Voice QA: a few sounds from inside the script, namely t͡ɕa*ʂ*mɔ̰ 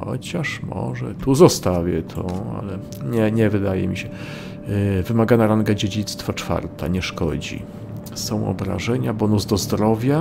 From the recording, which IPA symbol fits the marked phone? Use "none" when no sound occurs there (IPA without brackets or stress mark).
ʂ